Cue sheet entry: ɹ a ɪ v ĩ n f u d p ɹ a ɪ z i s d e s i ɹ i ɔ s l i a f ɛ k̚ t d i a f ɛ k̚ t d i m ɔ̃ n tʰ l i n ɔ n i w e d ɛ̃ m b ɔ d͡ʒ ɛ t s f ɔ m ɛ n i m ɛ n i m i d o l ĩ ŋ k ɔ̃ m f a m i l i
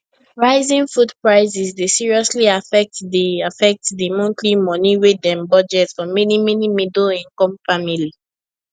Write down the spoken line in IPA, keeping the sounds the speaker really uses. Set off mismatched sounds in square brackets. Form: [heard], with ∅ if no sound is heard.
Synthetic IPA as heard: ɹ a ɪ [z] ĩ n f u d p ɹ a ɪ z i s d e s i ɹ i ɔ s l i a f ɛ k̚ t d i a f ɛ k̚ t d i m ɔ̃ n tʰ l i [m] ɔ n i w e d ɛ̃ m b ɔ d͡ʒ ɛ t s f ɔ m ɛ n i m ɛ n i m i d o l ĩ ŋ k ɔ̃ m f a m i l i